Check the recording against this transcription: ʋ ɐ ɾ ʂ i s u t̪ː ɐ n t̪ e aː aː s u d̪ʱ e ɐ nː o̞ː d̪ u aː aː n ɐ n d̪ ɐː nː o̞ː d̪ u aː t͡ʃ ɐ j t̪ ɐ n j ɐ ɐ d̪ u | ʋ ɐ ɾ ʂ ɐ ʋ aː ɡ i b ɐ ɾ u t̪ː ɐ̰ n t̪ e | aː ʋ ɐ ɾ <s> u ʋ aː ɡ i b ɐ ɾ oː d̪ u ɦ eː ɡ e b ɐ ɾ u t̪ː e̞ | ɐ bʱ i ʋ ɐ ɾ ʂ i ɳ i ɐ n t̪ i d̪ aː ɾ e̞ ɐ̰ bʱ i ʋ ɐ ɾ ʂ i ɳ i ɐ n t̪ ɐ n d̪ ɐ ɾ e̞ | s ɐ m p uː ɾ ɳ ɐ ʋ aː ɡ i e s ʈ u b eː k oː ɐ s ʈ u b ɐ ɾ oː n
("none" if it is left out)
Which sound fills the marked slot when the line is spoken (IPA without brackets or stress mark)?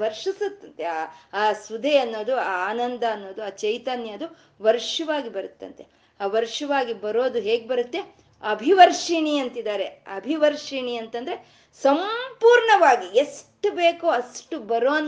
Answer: ʂ